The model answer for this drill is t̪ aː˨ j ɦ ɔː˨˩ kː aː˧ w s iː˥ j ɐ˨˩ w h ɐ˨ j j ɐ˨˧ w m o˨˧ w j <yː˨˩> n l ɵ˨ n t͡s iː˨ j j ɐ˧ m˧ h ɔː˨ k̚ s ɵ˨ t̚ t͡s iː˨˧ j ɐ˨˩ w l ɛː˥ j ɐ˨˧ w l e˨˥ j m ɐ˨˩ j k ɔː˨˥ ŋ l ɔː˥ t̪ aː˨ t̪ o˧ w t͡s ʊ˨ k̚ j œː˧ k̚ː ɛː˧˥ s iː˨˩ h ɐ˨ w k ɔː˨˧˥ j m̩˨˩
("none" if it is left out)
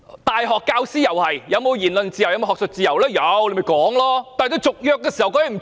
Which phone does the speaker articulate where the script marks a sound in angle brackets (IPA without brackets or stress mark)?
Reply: iː˨˩